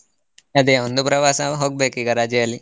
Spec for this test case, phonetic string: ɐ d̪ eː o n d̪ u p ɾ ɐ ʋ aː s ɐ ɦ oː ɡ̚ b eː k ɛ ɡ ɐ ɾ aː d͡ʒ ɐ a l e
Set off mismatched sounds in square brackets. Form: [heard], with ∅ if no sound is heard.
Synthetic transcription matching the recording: ɐ d̪ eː o n d̪ u p ɾ ɐ ʋ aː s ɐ ɦ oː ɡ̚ b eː k [i] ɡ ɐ ɾ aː d͡ʒ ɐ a l [i]